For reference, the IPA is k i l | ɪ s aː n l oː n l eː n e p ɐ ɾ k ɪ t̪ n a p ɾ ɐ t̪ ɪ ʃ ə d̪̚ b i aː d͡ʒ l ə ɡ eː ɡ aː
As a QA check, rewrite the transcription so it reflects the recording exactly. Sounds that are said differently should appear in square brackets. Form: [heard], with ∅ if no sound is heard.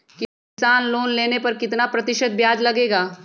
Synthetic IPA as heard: k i [∅] | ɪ s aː n l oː n l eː n e p ɐ ɾ k ɪ t̪ n a p ɾ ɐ t̪ ɪ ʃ ə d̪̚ b [j] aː d͡ʒ l [ɐ] ɡ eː ɡ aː